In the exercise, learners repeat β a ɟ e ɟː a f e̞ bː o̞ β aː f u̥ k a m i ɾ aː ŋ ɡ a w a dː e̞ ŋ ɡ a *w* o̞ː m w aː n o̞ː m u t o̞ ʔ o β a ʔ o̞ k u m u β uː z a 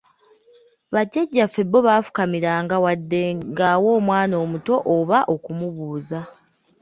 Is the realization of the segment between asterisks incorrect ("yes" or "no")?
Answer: no